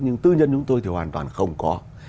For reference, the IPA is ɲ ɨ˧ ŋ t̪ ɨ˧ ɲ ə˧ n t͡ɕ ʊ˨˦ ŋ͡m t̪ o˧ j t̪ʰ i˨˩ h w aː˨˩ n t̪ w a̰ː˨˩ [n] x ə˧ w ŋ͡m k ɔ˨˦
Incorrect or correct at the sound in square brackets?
correct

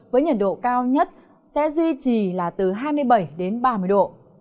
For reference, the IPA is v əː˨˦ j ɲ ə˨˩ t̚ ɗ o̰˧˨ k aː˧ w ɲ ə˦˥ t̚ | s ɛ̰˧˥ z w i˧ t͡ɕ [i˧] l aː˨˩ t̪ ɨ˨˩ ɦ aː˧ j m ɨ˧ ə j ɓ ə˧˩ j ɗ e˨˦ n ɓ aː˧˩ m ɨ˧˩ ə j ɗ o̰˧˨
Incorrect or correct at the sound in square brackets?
incorrect: i˨˩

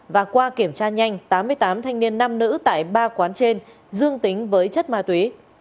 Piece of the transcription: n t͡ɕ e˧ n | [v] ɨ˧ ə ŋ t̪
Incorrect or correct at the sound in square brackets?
incorrect: z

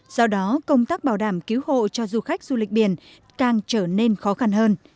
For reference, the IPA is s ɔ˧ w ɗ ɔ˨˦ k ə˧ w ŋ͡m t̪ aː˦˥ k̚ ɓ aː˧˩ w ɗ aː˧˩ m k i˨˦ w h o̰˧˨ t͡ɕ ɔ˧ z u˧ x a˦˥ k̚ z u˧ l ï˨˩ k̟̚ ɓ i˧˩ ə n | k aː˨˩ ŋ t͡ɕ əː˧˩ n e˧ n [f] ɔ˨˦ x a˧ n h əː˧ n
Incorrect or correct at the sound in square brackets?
incorrect: x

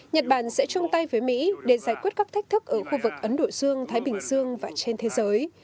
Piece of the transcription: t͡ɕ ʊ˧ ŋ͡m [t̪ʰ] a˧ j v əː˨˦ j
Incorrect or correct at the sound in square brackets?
incorrect: t̪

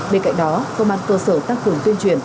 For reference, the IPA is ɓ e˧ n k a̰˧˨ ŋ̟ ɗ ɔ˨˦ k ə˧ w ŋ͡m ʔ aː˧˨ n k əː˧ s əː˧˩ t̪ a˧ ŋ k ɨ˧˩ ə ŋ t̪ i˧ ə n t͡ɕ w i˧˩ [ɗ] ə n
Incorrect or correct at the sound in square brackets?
incorrect: none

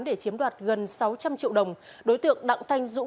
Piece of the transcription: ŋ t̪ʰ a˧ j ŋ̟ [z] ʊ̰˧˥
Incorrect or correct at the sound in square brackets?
correct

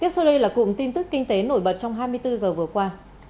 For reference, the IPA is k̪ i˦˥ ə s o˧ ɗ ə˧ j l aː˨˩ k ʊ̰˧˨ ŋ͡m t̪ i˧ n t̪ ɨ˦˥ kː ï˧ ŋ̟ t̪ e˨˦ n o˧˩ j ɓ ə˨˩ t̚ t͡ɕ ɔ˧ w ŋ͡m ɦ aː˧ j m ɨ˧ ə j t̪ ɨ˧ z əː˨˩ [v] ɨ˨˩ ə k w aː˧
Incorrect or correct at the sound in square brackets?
correct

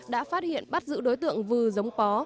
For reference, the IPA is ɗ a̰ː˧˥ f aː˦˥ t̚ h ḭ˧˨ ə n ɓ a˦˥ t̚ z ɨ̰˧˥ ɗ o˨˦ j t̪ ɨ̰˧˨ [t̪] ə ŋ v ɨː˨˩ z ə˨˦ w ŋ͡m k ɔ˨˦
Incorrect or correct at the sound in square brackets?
incorrect: none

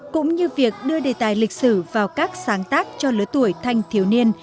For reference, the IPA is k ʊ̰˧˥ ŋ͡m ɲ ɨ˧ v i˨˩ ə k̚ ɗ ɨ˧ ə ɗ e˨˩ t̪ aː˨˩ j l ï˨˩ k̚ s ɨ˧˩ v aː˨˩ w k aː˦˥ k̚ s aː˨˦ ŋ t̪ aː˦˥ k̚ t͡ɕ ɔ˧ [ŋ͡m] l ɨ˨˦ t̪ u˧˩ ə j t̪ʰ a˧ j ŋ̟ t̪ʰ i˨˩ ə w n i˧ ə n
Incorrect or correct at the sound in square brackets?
incorrect: none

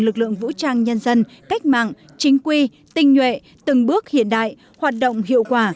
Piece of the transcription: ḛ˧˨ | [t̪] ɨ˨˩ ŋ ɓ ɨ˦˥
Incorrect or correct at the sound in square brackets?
correct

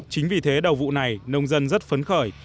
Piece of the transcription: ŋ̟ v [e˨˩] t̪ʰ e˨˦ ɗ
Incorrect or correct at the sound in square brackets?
incorrect: i˨˩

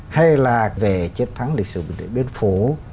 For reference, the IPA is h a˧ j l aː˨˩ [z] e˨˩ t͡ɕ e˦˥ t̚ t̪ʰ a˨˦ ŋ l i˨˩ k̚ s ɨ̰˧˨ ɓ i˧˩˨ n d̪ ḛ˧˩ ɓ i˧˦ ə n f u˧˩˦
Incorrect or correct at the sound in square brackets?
incorrect: v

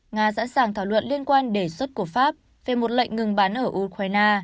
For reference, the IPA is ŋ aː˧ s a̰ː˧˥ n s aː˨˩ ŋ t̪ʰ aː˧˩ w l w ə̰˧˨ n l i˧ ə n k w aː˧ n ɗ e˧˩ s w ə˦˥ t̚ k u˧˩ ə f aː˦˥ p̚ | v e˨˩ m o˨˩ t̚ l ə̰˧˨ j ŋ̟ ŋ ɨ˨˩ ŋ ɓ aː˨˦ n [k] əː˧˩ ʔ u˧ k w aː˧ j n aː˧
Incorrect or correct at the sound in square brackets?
incorrect: ʔ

